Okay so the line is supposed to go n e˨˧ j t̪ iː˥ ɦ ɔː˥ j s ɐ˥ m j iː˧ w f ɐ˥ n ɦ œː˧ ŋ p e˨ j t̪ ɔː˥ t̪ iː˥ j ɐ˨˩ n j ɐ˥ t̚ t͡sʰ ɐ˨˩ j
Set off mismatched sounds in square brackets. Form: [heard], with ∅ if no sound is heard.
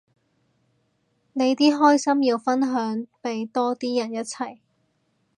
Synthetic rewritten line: n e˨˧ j t̪ iː˥ ɦ ɔː˥ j s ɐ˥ m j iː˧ w f ɐ˥ n ɦ [œː˨˥] ŋ p e˨ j t̪ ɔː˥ t̪ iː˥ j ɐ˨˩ n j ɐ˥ t̚ t͡sʰ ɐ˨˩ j